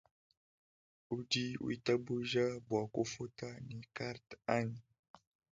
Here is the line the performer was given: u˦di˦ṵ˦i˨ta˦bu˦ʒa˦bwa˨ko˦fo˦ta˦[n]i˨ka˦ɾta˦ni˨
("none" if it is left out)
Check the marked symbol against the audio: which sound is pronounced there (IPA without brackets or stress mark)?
n